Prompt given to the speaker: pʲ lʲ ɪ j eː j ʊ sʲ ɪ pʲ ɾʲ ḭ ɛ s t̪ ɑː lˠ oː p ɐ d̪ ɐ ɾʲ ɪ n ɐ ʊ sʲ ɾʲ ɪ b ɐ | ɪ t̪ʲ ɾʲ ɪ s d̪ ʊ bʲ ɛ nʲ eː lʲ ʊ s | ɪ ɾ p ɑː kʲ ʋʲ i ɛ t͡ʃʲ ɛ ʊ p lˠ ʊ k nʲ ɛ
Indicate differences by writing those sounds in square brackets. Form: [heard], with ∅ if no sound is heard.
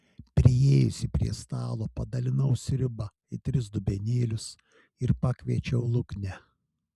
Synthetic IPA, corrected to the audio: pʲ [ɾʲ] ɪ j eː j ʊ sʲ ɪ pʲ ɾʲ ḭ ɛ s t̪ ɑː lˠ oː p ɐ d̪ ɐ [lʲ] ɪ n ɐ ʊ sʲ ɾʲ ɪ b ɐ | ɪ t̪ʲ ɾʲ ɪ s d̪ ʊ bʲ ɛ nʲ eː lʲ ʊ s | ɪ ɾ p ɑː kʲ ʋʲ i ɛ t͡ʃʲ ɛ ʊ [∅] lˠ ʊ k nʲ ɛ